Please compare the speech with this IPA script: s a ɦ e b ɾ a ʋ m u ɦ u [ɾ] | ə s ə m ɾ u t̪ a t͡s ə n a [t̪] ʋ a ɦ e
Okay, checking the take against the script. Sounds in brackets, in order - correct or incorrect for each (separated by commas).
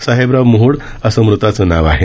incorrect, incorrect